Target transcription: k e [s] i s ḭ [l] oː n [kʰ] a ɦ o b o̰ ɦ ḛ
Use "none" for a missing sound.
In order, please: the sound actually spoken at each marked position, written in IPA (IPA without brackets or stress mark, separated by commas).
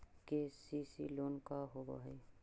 s, l, k